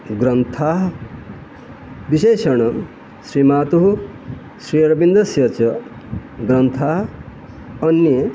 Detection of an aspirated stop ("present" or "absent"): present